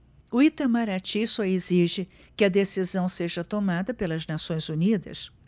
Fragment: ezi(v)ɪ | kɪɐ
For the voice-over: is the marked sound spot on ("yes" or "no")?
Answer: no